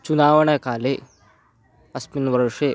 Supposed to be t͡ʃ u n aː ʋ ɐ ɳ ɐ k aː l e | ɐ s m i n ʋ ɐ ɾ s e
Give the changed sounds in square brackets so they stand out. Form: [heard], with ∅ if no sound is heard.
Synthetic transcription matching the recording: t͡ʃ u n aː ʋ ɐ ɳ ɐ k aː l e | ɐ s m i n ʋ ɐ ɾ [ʂ] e